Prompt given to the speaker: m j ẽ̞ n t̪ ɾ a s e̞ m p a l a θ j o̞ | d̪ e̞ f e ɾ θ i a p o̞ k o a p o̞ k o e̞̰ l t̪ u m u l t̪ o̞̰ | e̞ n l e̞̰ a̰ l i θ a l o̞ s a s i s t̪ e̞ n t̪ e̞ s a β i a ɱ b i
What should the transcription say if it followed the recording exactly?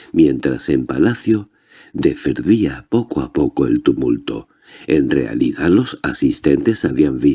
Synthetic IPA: m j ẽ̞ n t̪ ɾ a s e̞ m p a l a θ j o̞ | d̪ e̞ f e ɾ ð i a p o̞ k o a p o̞ k o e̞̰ l t̪ u m u l t̪ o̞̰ | e̞ n r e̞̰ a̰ l i ð a l o̞ s a s i s t̪ e̞ n t̪ e̞ s a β i a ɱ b i

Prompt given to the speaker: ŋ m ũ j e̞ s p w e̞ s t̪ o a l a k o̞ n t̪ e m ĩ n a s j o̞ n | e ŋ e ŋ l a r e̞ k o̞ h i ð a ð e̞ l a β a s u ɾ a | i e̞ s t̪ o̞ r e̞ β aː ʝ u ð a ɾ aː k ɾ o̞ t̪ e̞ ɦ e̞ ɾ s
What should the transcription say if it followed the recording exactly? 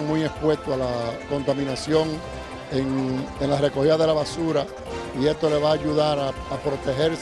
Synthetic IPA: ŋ m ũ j e̞ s p w e̞ s t̪ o a l a k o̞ n t̪ a m ĩ n a s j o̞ ŋ | e ŋ e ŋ l a r e̞ k o̞ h i ð a ð e̞ l a β a s u ɾ a | i e̞ s t̪ o̞ l e̞ β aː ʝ u ð a ɾ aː p ɾ o̞ t̪ e̞ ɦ e̞ ɾ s

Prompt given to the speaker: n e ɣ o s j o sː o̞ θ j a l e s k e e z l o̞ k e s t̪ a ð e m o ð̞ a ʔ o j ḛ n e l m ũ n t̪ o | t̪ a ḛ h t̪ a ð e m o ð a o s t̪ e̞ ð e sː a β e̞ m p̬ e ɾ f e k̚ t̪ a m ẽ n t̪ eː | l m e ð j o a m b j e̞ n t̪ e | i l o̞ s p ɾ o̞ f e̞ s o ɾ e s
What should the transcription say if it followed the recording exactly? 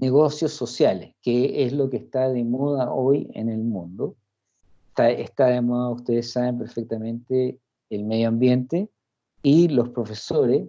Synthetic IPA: n e ɣ o s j o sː o̞ s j a l e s k e e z l o̞ k e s t̪ a ð e m o ð̞ a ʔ o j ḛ n e l m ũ n d̪ o | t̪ a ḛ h t̪ a ð e m o ð a u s t̪ e̞ ð e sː a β e̞ m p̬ e ɾ f e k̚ t̪ a m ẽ n t̪ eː | l m e ð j o a m b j e̞ n t̪ e | i l o̞ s p ɾ o̞ f e̞ s o ɾ e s

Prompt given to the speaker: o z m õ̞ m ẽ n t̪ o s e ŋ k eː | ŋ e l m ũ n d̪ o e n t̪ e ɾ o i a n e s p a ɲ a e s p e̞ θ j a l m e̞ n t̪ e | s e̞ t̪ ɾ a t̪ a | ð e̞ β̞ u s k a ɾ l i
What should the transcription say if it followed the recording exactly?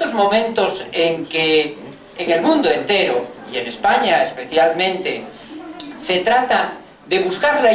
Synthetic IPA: o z m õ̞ m ẽ n t̪ o s e ŋ k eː | ŋ e l m ũ n d̪ o e n t̪ e ɾ o i e n e s p a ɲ a e s p e̞ θ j a l m ẽ̞ n t̪ e | s e̞ t̪ ɾ a t̪ a | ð e̞ β̞ u s k a ɾ l a

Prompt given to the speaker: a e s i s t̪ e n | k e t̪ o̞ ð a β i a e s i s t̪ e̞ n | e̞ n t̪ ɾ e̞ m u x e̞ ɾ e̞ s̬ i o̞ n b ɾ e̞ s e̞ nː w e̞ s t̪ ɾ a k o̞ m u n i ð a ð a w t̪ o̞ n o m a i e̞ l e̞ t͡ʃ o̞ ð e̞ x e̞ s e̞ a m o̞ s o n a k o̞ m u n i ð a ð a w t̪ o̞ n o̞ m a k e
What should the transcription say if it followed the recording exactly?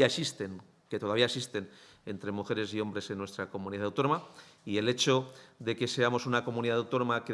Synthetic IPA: a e s i s t̪ e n | k e t̪ o̞ ð a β i a e s i s t̪ e̞ n | e̞ n t̪ ɾ e̞ m u x e̞ ɾ e̞ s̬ i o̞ m b ɾ e̞ s e̞ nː w e̞ s t̪ ɾ a k o̞ m u n i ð a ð a w t̪ o̞ n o m a i e̞ l e̞ t͡ʃ o̞ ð e̞ k e̞ s e̞ a m o̞ s u n a k o̞ m u n i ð a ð a w t̪ o̞ n o̞ m a k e

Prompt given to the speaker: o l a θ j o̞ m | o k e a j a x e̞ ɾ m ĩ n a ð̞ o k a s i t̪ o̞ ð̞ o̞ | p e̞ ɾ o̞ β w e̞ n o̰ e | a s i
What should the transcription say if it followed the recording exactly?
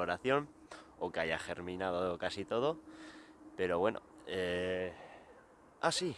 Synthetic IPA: o ɾ a θ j o̞ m | o k e a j a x e̞ ɾ m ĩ n a ð̞ o k a s i t̪ o̞ ð̞ o̞ | p e̞ ɾ o̞ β w e̞ n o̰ e | a s i

